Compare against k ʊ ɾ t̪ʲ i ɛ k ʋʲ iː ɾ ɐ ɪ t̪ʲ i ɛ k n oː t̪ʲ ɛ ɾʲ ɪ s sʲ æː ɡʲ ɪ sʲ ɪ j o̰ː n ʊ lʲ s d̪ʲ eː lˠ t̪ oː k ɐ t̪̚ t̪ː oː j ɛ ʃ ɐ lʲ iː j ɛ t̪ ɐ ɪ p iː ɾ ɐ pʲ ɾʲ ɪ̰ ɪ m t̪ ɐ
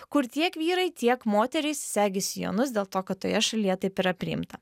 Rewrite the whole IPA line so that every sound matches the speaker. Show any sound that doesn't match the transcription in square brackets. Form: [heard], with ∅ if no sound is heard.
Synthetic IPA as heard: k ʊ ɾ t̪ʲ i ɛ k ʋʲ iː ɾ ɐ ɪ t̪ʲ i ɛ k [m] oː t̪ʲ ɛ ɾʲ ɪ s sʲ æː ɡʲ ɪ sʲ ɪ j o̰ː n ʊ [∅] s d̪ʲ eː lˠ t̪ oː k ɐ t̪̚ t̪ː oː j ɛ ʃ ɐ lʲ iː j ɛ t̪ ɐ ɪ p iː ɾ ɐ pʲ ɾʲ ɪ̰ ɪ m t̪ ɐ